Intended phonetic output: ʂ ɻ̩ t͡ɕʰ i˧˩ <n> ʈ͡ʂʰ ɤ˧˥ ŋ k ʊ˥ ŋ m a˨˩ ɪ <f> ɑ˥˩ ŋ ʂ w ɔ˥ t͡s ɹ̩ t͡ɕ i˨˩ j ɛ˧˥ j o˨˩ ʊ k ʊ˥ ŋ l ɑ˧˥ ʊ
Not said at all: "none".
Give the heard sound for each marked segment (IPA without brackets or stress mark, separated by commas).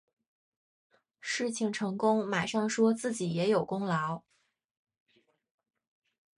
ŋ, ʂ